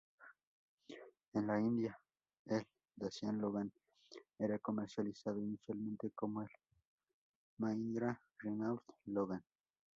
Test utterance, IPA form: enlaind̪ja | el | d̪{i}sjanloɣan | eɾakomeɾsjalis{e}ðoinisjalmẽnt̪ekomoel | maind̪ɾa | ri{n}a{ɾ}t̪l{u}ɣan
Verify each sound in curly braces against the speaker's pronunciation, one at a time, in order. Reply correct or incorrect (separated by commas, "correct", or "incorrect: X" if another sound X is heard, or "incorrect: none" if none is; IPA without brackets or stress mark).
incorrect: a, incorrect: a, correct, incorrect: l, incorrect: o